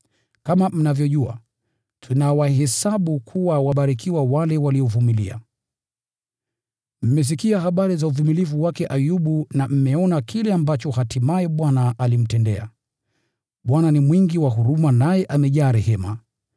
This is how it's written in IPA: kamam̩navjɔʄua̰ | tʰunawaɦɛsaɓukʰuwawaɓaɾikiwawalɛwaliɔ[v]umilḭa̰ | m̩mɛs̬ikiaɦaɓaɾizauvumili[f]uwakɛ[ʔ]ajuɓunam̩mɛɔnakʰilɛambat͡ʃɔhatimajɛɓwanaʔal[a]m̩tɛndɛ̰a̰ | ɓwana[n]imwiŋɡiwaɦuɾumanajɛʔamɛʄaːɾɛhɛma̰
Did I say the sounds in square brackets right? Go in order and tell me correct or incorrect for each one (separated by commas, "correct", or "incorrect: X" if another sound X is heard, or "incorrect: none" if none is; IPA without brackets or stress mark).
correct, incorrect: v, correct, incorrect: i, correct